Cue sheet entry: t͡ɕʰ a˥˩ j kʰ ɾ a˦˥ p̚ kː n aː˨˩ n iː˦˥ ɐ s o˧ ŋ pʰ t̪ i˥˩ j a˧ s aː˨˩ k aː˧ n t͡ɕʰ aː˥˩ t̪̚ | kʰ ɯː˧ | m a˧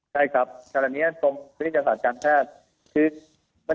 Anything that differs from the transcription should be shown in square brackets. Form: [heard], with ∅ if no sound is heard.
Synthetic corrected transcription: t͡ɕʰ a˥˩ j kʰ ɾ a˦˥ p̚ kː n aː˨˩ n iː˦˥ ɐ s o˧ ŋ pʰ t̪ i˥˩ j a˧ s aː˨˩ k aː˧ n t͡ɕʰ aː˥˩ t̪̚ | kʰ ɯː˧ | m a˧